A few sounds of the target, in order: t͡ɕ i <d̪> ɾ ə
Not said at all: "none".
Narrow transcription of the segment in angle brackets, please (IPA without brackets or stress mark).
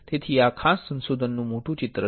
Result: t̪